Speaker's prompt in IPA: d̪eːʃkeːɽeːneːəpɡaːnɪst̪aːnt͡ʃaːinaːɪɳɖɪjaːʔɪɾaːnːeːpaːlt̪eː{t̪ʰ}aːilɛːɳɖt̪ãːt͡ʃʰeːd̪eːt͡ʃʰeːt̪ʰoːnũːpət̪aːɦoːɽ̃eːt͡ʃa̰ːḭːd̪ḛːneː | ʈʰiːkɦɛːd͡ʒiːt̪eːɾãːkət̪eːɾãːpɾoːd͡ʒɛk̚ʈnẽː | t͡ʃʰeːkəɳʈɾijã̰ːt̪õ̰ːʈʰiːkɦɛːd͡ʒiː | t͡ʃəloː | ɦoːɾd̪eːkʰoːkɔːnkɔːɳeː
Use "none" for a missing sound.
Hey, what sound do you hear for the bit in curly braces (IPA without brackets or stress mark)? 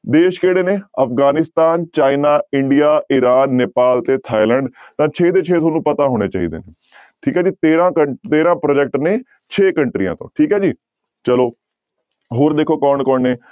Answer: t̪ʰ